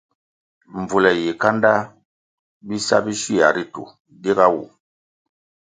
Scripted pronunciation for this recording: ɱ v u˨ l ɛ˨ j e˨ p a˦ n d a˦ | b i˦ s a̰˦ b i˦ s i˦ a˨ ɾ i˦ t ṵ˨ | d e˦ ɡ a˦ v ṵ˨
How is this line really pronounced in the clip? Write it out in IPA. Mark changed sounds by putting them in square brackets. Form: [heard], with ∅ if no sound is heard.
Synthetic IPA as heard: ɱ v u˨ l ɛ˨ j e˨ [k] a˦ n d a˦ | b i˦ s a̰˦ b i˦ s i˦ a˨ ɾ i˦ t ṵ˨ | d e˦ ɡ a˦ [w] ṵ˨